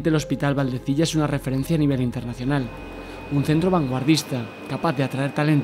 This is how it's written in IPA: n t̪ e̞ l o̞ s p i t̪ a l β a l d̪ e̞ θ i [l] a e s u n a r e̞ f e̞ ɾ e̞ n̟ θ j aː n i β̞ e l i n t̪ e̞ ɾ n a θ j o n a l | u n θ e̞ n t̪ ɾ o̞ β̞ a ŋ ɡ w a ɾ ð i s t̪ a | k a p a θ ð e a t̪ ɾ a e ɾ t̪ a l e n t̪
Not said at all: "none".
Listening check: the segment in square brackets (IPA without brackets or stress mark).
ʎ